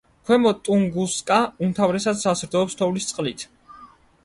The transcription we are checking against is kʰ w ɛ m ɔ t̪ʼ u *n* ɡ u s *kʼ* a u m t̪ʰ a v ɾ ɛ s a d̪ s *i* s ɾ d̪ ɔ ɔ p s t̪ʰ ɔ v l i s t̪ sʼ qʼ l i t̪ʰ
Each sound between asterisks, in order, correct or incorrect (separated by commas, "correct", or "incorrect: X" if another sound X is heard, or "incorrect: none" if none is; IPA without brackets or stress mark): incorrect: ŋ, correct, incorrect: a